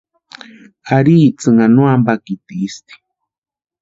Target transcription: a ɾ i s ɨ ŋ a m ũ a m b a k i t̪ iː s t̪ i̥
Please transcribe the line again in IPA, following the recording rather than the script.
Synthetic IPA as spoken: a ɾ i t͡s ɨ ŋ a n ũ a m b a k i t̪ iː s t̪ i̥